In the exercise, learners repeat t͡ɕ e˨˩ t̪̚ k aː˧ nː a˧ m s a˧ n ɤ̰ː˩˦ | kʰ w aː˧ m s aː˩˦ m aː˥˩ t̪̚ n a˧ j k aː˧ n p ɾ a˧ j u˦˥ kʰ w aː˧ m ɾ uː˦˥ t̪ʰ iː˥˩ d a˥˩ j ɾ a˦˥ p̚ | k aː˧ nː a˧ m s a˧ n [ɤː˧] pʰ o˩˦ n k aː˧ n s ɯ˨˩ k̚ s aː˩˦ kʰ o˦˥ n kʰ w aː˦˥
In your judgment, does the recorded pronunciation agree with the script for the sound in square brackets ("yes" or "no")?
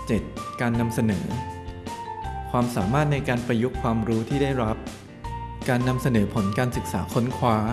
no